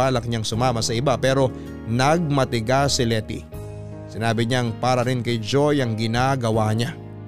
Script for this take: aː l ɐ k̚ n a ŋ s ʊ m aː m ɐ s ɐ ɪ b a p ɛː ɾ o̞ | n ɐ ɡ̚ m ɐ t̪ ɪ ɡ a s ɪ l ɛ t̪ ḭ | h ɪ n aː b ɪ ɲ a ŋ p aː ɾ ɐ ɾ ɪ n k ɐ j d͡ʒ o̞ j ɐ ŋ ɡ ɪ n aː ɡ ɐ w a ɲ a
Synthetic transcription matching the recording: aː l ɐ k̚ ɲ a ŋ s ʊ m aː m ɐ s ɐ ɪ b a p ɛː ɾ o̞ | n ɐ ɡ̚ m ɐ t̪ ɪ ɡ a s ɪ l ɛ t̪ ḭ | s ɪ n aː b ɪ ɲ a ŋ p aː ɾ ɐ ɾ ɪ n k ɐ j d͡ʒ o̞ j ɐ ŋ ɡ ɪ n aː ɡ ɐ w a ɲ a